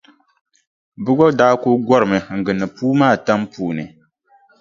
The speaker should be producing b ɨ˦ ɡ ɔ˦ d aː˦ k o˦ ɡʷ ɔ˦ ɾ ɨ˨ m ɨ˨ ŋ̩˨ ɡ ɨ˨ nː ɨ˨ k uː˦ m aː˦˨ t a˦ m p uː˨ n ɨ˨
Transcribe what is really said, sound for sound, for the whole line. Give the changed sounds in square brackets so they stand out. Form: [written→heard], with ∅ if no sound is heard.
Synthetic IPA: b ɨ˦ ɡ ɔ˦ d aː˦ k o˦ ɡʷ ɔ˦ ɾ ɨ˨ m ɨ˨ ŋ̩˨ ɡ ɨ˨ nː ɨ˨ [k→p] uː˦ m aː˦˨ t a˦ m p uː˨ n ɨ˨